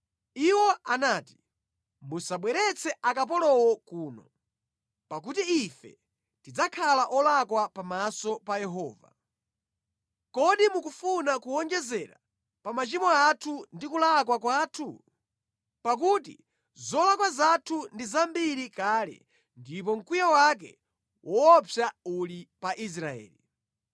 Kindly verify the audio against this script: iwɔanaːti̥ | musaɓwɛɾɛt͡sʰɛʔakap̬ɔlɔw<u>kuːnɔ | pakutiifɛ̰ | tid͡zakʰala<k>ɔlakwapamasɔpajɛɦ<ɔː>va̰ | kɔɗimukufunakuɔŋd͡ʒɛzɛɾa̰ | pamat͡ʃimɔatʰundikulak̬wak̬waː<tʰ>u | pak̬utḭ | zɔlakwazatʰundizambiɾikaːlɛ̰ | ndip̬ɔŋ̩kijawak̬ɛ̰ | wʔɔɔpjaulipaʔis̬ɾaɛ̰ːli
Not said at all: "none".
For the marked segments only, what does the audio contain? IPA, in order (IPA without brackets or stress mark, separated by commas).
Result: ɔ, ʔ, ɔː, tʰ